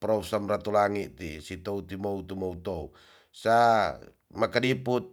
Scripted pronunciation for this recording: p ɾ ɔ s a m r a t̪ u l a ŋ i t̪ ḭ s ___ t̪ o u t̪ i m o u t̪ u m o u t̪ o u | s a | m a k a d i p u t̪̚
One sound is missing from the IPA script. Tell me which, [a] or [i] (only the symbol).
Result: i